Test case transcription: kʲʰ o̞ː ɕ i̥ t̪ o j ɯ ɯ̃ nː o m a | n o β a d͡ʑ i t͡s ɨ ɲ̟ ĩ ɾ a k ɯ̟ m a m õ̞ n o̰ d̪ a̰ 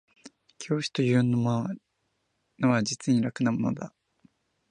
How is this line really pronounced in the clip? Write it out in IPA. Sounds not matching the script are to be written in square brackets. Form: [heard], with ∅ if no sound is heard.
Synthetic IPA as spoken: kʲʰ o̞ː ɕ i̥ t̪ o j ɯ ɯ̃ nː o m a | n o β a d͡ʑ i t͡s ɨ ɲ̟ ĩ ɾ a k ɯ̟ [n] a m [o̞] n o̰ d̪ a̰